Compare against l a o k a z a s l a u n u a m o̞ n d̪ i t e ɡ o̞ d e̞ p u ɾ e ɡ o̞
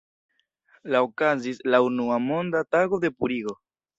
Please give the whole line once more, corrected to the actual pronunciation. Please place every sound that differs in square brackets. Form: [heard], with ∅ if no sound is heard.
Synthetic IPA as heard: l a o k a z [i] s l a u n u a m o̞ n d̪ [a] t [a] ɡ o̞ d e̞ p u ɾ [i] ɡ o̞

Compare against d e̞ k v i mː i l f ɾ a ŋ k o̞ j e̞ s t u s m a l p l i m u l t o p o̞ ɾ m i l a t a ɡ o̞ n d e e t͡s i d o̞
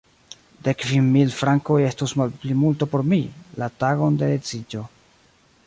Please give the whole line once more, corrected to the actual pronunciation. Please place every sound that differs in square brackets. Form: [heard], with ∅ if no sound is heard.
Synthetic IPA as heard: d e̞ k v i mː i l f ɾ a ŋ k o̞ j e̞ s t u s m a l p l i m u l t o p o̞ ɾ m i l a t a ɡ o̞ n d e e t͡s i [d͡ʒ] o̞

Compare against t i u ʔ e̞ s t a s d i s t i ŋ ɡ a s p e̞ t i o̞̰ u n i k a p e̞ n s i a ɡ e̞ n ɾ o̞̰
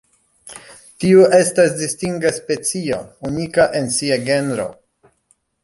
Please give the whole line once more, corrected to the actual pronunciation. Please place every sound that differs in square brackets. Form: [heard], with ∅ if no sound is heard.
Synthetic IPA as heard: t i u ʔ e̞ s t a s d i s t i ŋ ɡ a s p e̞ [t͡s] i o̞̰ u n i k a [ʔ] e̞ n s i a ɡ e̞ n ɾ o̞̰

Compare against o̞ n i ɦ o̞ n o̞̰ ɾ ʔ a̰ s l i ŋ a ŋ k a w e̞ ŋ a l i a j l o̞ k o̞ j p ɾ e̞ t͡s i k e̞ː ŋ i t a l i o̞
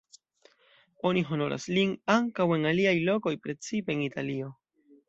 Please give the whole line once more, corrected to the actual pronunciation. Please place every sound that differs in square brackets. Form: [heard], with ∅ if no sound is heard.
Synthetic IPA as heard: o̞ n i ɦ o̞ n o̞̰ ɾ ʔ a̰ s l i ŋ a ŋ k a w e̞ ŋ a l i a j l o̞ k o̞ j p ɾ e̞ t͡s i [p] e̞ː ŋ i t a l i o̞

